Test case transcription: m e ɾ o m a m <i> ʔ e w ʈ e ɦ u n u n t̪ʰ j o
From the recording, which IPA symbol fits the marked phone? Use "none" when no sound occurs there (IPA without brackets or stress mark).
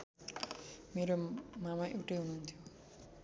a